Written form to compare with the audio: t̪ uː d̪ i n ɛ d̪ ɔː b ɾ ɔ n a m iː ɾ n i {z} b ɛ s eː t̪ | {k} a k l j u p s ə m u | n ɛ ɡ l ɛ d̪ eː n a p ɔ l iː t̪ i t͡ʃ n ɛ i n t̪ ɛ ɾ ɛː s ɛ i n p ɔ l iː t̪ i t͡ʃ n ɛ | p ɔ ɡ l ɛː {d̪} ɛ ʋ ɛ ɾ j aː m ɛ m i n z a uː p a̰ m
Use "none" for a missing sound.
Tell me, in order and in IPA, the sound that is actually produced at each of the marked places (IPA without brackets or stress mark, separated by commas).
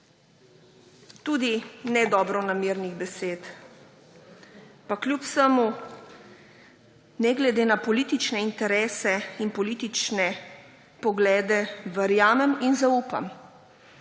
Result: ɣ, p, d̪